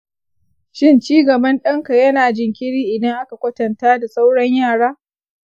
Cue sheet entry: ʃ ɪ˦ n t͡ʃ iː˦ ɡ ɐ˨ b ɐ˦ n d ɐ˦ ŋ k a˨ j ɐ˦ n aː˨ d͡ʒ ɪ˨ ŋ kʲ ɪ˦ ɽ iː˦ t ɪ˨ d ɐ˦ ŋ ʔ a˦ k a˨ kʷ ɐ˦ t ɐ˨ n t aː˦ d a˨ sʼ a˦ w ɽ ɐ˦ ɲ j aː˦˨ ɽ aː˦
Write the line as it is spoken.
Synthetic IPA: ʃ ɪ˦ n t͡ʃ iː˦ ɡ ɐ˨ b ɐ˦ n ɗ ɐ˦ ŋ k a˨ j ɐ˦ n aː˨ d͡ʒ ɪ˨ ŋ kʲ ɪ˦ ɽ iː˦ ʔ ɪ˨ d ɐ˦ ŋ ʔ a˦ k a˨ kʷ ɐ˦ t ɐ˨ n t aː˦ d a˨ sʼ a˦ w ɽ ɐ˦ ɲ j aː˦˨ ɽ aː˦

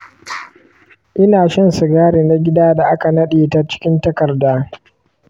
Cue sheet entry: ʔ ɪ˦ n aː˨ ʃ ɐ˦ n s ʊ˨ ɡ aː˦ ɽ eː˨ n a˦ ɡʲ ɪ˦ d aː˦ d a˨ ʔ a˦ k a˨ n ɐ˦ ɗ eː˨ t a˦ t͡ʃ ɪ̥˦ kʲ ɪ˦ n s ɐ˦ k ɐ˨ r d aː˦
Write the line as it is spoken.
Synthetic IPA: ʔ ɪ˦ n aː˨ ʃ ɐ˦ n s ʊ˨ ɡ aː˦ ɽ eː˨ n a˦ ɡʲ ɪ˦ d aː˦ d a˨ ʔ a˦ k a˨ n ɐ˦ ɗ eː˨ t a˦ t͡ʃ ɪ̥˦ kʲ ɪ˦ n t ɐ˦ k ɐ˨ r d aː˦

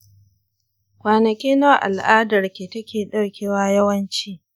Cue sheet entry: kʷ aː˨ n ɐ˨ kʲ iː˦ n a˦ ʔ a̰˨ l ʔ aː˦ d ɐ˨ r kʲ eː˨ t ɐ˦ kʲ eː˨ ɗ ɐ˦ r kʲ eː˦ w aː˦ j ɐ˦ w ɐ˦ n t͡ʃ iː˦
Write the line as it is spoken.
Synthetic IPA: kʷ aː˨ n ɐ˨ kʲ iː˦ n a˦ ʔ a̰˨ l ʔ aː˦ d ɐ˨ r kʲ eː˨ t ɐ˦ kʲ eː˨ ɗ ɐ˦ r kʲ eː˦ w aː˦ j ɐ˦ w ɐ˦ n t͡ʃ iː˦

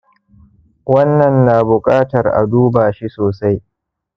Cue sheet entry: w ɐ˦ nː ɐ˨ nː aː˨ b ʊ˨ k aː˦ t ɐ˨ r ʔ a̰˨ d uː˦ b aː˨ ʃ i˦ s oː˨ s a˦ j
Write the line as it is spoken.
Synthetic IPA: w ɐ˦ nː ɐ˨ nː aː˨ b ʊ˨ kʼ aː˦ t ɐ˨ r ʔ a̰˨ d uː˦ b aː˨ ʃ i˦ s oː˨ s a˦ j

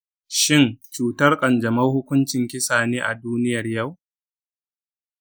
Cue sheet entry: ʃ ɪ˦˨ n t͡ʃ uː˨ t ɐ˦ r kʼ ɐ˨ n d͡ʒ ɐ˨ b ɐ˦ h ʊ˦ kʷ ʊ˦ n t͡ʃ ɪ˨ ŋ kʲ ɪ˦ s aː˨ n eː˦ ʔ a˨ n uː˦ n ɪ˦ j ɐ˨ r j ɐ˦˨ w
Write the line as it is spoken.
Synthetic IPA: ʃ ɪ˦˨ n t͡ʃ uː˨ t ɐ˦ r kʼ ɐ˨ n d͡ʒ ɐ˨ m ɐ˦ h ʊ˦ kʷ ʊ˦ n t͡ʃ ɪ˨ ŋ kʲ ɪ˦ s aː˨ n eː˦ ʔ a˨ d uː˦ n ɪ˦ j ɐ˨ r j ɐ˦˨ w

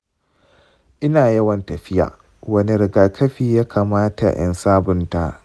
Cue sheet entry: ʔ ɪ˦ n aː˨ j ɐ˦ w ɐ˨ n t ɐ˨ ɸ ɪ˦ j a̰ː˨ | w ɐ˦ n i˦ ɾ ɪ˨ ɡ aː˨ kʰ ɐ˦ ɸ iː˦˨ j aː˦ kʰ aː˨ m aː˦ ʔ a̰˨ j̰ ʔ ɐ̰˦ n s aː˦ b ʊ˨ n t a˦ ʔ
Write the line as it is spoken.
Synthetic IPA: ʔ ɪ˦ n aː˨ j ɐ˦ w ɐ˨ n t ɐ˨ ɸ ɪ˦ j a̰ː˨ | w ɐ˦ n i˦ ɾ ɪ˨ ɡ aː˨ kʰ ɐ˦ ɸ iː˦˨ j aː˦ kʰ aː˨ m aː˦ t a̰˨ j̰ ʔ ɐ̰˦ n s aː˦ b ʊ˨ n t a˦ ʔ

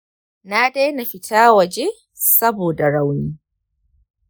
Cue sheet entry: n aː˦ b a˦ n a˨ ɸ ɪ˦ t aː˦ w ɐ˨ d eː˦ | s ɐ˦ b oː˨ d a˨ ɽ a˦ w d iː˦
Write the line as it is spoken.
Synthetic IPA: n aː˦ d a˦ n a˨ ɸ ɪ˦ t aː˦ w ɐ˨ d͡ʒ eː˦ | s ɐ˦ b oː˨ d a˨ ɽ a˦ w n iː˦

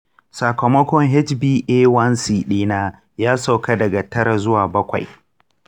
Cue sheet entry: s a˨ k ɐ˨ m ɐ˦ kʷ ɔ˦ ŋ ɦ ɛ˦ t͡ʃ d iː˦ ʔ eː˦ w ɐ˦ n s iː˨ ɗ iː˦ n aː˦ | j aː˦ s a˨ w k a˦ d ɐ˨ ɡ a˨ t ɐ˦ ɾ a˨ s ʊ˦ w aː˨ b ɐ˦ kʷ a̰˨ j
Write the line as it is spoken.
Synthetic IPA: s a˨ k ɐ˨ m ɐ˦ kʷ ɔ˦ ŋ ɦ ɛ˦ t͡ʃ b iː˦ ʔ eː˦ w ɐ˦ n s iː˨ ɗ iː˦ n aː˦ | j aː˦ s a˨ w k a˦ d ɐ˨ ɡ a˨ t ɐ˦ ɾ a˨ z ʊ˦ w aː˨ b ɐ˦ kʷ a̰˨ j

